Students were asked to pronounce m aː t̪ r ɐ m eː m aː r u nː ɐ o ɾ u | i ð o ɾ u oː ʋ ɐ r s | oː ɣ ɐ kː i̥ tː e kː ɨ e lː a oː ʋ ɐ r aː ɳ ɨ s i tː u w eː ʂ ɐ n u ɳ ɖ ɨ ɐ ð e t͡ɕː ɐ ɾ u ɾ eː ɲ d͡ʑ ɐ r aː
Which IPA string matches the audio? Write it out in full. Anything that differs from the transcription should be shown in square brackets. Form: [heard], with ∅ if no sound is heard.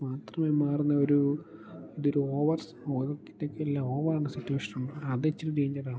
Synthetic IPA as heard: m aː t̪ r ɐ m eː m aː r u nː ɐ o ɾ u | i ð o ɾ u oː ʋ ɐ r s | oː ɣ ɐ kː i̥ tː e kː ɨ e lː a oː ʋ ɐ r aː ɳ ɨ s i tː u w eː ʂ ɐ n u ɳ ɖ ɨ ɐ ð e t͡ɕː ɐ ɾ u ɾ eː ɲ d͡ʑ ɐ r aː